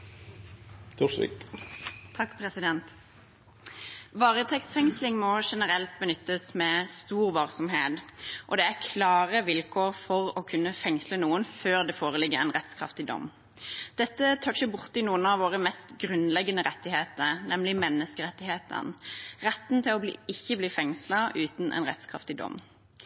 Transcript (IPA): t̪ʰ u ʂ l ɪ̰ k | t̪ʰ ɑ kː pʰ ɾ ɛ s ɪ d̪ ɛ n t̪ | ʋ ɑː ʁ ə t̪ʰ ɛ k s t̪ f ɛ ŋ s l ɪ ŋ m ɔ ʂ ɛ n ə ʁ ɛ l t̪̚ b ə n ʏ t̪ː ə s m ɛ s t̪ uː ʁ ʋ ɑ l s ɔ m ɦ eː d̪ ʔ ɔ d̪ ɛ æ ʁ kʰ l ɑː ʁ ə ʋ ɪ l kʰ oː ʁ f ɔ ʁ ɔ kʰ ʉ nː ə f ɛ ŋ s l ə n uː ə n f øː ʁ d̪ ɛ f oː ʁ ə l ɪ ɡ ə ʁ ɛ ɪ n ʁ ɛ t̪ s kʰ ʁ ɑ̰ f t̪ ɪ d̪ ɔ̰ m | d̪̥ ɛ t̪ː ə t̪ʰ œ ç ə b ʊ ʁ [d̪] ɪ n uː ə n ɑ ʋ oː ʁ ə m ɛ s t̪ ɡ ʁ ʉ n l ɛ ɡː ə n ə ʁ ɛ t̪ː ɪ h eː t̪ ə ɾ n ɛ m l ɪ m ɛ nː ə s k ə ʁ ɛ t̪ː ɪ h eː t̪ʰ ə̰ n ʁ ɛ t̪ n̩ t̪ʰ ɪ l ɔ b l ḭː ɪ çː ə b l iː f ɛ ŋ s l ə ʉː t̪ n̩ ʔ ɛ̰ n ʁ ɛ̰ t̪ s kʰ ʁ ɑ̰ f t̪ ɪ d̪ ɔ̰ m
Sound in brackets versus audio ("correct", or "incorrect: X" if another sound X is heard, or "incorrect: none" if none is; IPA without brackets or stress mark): incorrect: t̪